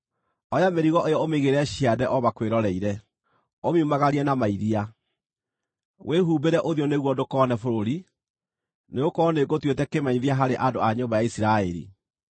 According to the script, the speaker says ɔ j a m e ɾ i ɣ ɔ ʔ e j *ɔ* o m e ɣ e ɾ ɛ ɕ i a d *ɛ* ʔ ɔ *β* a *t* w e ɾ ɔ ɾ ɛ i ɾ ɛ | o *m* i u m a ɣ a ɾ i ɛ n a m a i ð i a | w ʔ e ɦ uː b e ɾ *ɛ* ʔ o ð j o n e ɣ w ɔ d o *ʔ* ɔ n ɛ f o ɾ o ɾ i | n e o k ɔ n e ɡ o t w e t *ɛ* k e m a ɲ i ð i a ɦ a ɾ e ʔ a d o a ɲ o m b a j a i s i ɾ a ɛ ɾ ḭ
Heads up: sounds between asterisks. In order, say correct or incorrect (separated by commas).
correct, correct, correct, incorrect, correct, correct, incorrect, correct